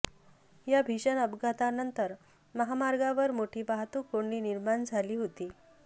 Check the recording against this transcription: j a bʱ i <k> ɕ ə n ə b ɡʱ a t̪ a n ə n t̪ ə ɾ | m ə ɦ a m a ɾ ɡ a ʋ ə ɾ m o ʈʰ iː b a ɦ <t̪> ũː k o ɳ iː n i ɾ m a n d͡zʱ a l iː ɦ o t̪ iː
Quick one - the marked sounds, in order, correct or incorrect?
incorrect: none, correct

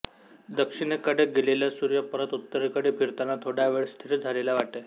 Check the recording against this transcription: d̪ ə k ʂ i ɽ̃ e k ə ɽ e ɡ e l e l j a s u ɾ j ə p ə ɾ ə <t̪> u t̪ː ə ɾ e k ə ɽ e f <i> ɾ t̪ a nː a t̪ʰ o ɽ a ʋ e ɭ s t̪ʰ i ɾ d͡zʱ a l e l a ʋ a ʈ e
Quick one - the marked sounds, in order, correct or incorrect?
correct, correct

